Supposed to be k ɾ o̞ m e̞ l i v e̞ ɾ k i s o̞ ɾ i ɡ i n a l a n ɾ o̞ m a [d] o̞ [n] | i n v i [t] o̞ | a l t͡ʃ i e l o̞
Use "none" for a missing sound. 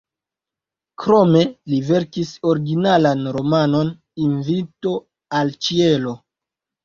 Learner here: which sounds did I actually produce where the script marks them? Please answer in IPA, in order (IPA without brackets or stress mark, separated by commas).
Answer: n, n, t